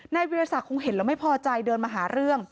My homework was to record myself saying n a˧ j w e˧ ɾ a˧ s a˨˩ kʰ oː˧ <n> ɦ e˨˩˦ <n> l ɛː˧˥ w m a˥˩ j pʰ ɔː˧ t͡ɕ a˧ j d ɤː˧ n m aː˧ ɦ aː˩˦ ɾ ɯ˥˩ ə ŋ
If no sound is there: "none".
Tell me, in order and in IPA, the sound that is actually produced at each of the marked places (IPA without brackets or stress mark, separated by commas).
ŋ, n